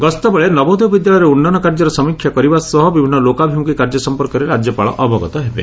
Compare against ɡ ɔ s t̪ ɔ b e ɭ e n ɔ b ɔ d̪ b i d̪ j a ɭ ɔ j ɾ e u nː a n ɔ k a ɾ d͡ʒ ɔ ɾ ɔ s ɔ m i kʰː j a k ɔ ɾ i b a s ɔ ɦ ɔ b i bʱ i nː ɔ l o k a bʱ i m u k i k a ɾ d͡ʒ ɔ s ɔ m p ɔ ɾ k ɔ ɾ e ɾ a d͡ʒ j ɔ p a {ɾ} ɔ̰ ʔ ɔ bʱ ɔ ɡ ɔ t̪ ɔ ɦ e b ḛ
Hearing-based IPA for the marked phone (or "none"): ɭ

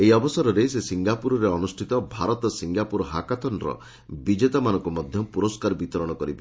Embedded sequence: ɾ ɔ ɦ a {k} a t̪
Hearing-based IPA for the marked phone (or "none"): k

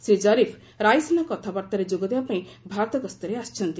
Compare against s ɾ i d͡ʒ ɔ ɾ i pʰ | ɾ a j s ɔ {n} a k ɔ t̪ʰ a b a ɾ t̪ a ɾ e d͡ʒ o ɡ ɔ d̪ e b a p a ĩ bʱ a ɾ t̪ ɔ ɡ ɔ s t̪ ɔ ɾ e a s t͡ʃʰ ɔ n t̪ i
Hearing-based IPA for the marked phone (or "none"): n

